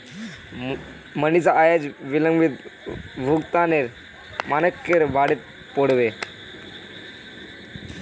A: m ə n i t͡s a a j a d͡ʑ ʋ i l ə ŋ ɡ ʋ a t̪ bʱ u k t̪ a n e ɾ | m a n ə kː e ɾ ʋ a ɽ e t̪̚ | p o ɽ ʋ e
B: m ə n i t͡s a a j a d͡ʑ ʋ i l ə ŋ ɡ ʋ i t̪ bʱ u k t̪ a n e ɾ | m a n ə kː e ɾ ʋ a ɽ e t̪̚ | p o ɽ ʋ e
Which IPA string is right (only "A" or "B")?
B